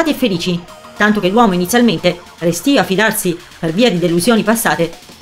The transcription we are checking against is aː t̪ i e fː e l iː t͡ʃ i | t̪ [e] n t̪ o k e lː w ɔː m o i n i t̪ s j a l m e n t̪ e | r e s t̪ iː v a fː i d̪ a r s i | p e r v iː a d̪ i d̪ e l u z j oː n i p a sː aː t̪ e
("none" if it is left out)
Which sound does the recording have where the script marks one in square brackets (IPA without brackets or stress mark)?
a